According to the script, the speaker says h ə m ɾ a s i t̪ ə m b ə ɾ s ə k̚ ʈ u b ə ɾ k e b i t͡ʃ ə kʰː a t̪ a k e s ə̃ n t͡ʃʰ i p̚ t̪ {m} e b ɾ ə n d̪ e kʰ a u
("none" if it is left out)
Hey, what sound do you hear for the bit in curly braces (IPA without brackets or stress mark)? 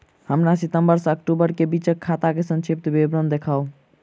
b